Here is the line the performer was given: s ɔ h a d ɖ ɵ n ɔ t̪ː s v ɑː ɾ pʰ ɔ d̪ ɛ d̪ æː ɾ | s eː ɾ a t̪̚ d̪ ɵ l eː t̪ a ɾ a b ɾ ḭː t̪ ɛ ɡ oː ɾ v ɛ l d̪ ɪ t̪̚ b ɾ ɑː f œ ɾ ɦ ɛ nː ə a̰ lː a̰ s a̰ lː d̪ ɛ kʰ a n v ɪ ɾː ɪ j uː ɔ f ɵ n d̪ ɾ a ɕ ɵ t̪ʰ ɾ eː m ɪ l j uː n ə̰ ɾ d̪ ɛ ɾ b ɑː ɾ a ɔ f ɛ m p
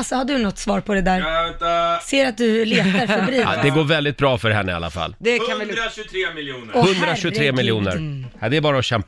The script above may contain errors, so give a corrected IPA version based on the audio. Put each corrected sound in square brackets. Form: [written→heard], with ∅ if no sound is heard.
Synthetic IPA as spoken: s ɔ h a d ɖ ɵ n ɔ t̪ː s v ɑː ɾ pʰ ɔ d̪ ɛ d̪ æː ɾ | s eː ɾ a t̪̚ d̪ ɵ l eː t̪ a ɾ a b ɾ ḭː [t̪→d̪] ɛ ɡ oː ɾ v ɛ l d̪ ɪ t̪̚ b ɾ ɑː f œ ɾ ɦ ɛ nː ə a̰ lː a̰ [s→f] a̰ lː d̪ ɛ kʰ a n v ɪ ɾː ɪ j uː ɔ [f→h] ɵ n d̪ ɾ a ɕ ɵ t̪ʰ ɾ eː m ɪ l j uː n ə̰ ɾ d̪ ɛ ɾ b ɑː ɾ a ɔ [f→ɕ] ɛ m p